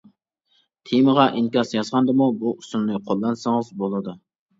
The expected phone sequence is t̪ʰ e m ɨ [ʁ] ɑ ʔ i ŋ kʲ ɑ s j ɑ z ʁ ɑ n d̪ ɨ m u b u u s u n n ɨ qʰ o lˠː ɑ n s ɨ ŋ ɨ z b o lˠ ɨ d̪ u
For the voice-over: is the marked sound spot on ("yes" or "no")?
yes